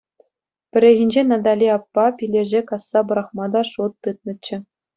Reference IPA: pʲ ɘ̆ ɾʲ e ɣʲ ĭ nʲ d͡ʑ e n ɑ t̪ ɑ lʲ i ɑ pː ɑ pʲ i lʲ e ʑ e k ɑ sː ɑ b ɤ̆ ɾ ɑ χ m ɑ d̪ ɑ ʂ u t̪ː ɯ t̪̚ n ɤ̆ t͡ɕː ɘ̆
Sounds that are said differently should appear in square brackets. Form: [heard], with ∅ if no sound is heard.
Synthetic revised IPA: pʲ ɘ̆ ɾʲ e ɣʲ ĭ nʲ d͡ʑ e n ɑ [d̪] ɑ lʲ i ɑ pː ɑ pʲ i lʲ e ʑ e k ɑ sː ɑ b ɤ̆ ɾ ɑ χ m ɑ d̪ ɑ ʂ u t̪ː ɯ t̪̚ n ɤ̆ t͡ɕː ɘ̆